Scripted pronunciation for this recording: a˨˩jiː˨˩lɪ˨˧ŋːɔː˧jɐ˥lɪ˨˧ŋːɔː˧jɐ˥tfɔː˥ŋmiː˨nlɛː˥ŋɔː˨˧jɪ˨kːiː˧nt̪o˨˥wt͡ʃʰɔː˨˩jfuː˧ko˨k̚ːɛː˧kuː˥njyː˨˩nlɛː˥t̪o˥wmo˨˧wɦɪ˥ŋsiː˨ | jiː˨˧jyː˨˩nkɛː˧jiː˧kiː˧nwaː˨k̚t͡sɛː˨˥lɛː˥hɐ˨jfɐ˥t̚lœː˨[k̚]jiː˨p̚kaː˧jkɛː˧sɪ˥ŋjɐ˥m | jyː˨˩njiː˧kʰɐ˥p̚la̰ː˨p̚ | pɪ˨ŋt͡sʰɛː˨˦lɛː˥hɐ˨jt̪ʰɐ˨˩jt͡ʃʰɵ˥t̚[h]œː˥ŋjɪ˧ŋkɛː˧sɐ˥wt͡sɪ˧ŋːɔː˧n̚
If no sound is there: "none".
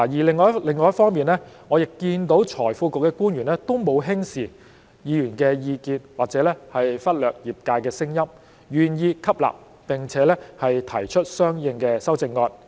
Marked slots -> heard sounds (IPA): k̚, s

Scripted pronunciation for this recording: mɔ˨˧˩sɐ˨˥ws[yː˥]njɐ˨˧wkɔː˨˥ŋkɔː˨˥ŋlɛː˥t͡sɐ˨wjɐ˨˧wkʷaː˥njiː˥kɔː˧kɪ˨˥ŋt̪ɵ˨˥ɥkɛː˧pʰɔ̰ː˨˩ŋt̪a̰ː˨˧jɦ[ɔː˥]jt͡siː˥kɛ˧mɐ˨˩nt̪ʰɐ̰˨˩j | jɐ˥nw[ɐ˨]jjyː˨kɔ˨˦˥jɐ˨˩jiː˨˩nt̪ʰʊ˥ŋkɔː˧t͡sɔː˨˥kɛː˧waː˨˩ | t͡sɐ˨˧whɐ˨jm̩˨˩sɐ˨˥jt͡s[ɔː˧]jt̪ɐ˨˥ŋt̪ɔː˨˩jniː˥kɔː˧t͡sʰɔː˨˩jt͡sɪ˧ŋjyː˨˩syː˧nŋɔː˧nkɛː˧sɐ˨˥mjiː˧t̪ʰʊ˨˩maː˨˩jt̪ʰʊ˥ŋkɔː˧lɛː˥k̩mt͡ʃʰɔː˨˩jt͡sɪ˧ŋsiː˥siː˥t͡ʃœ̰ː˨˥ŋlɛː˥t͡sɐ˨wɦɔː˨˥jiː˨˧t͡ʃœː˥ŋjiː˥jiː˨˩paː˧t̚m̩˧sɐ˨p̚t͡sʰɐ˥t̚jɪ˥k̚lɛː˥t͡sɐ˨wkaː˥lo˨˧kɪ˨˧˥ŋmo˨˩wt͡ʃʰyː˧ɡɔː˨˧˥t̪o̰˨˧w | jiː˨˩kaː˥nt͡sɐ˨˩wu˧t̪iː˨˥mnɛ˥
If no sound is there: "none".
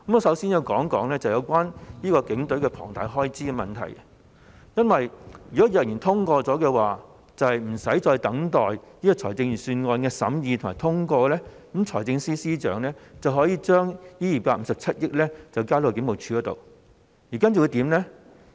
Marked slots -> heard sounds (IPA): iː˥, ɔː˥, ɐ˨, ɔː˧

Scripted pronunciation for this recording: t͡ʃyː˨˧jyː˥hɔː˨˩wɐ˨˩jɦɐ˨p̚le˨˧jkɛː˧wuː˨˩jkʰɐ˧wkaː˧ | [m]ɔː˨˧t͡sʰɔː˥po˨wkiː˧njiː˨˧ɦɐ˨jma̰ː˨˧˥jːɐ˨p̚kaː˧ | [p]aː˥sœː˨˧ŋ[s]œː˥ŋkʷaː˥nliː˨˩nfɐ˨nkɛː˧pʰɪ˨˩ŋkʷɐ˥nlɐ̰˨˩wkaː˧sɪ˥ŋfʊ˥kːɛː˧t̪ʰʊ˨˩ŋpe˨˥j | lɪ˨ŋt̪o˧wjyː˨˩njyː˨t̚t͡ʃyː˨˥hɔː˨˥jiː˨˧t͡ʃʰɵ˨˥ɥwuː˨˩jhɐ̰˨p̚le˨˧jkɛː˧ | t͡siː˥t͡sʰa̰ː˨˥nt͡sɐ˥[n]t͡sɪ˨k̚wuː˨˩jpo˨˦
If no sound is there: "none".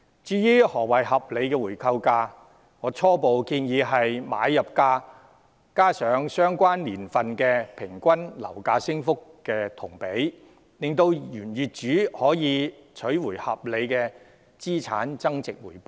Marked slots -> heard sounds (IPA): ŋ, k, s, ŋ

